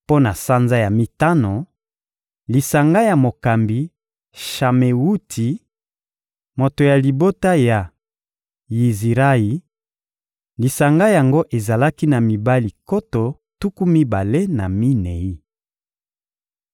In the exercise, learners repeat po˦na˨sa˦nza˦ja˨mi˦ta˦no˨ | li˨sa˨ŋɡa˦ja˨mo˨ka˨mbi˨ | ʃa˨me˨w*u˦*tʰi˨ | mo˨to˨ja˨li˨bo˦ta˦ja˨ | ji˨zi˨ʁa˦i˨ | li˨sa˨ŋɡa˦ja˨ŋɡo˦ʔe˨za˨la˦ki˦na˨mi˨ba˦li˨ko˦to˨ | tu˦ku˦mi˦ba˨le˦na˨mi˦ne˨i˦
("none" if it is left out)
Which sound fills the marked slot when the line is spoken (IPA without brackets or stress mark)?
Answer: u˦